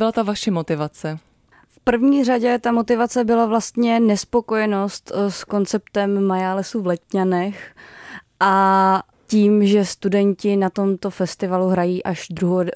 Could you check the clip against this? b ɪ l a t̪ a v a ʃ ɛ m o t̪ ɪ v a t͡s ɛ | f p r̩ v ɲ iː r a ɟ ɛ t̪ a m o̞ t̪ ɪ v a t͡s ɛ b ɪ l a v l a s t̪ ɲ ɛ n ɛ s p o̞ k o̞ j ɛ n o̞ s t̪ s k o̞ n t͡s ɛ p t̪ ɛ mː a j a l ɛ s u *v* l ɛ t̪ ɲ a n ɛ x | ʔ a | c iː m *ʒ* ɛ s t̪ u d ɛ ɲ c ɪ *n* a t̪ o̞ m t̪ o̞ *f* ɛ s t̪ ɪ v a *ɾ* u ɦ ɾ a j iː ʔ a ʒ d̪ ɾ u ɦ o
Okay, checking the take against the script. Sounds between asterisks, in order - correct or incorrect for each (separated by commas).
correct, correct, correct, correct, incorrect